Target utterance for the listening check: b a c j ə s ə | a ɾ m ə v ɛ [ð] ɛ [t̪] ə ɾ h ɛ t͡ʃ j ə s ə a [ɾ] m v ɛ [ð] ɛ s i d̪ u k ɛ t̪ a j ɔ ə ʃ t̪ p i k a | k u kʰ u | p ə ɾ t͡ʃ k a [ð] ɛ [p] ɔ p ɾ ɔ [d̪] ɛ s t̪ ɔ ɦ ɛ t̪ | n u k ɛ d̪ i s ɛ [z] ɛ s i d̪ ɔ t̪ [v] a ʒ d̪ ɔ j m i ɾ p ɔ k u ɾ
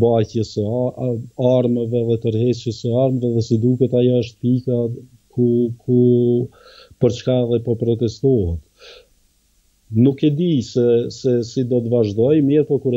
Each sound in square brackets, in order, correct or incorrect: correct, correct, correct, correct, correct, correct, incorrect, incorrect, correct

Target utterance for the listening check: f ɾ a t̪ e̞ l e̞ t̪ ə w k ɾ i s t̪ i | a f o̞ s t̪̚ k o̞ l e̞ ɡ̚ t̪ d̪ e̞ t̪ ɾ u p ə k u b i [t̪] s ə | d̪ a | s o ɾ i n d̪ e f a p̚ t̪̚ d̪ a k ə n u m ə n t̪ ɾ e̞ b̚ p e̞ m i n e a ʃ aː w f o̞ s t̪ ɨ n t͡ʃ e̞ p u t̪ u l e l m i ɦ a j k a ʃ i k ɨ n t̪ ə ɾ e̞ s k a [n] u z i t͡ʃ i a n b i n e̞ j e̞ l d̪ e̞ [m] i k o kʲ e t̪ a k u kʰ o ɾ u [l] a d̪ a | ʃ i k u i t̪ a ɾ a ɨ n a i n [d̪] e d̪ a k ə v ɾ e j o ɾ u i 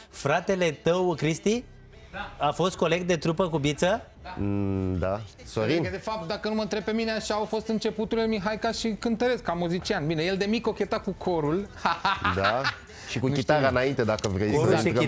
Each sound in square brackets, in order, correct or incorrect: correct, incorrect, correct, correct, incorrect

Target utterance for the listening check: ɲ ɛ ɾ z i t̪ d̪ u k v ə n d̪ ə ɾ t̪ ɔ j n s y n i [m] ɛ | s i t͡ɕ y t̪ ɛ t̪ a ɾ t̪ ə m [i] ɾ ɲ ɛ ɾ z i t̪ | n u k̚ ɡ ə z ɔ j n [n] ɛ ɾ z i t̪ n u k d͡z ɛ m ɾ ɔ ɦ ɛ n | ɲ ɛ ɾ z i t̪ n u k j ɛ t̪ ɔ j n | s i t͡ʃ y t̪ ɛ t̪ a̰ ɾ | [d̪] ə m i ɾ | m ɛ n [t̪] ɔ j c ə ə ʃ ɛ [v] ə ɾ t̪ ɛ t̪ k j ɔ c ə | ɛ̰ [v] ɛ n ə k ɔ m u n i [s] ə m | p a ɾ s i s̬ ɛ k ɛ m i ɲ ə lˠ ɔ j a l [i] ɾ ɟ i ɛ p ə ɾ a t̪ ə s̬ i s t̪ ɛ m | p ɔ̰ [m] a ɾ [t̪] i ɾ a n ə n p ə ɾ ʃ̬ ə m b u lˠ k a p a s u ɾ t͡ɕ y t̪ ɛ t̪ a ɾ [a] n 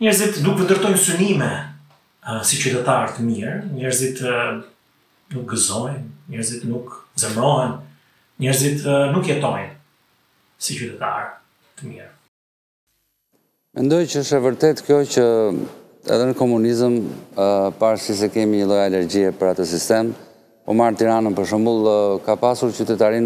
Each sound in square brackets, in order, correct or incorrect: correct, correct, incorrect, incorrect, incorrect, correct, incorrect, incorrect, incorrect, correct, correct, incorrect

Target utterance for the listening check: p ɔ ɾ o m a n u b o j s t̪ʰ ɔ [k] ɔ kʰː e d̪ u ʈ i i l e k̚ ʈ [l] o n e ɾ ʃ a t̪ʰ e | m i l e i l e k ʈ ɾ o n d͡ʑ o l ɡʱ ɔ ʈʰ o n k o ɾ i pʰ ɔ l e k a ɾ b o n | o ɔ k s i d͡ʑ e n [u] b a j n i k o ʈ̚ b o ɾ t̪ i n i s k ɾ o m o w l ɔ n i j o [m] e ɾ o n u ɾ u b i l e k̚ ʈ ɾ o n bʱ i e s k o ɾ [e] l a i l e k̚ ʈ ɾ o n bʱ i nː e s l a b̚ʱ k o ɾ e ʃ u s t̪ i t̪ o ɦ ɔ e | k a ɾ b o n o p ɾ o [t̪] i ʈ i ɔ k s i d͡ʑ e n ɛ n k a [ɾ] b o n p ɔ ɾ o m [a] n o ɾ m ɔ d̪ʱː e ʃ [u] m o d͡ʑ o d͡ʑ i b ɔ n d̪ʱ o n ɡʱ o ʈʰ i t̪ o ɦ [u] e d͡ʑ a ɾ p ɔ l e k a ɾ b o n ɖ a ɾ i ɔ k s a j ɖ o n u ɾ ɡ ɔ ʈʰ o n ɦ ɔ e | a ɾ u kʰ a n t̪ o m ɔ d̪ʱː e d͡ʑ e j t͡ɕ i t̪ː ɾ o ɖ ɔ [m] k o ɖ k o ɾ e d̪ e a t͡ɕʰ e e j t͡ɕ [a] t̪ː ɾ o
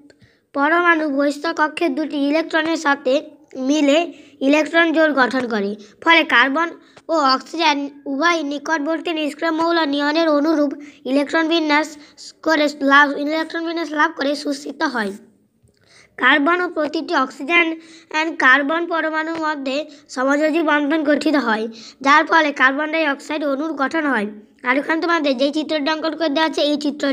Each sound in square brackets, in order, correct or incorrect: correct, incorrect, correct, incorrect, correct, correct, correct, correct, incorrect, incorrect, incorrect, incorrect

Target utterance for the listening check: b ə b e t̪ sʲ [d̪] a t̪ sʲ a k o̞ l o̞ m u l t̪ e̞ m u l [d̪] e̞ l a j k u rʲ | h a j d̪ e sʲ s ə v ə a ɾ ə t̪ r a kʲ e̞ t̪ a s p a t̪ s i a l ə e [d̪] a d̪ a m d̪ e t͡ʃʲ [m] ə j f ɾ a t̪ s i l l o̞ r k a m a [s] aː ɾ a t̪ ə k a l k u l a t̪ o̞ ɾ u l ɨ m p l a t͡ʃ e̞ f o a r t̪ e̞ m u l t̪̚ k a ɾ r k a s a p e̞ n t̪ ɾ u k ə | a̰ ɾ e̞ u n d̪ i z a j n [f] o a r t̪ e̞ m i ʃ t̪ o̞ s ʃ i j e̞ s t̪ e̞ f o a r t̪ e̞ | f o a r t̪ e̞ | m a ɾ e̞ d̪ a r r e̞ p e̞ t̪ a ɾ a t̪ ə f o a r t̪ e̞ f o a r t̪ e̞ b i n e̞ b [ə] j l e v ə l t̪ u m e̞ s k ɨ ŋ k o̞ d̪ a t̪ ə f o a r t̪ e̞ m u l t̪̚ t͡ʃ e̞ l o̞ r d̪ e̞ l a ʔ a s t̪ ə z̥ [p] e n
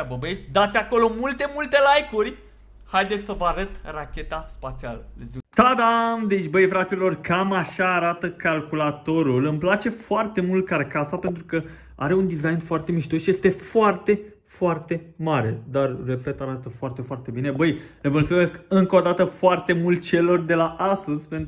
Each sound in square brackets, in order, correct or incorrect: correct, incorrect, incorrect, incorrect, incorrect, correct, correct, correct

